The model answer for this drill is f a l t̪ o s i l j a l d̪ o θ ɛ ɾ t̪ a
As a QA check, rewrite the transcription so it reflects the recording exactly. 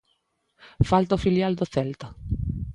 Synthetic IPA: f a l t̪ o f i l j a l d̪ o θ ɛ l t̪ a